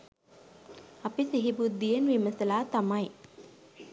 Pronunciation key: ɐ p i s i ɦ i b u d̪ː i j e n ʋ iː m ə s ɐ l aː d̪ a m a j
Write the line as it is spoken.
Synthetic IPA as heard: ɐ p i s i ɦ i b u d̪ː i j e n ʋ i m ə s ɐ l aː t̪ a m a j